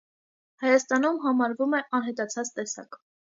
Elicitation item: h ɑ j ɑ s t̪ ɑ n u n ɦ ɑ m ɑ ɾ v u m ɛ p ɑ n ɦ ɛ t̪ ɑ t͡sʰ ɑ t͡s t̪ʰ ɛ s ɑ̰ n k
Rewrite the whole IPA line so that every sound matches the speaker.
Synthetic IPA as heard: h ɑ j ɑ s t̪ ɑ n u m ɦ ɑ m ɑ ɾ v u m ɛ ʔ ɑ n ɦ ɛ t̪ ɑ t͡sʰ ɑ t͡s t̪ ɛ s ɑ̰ k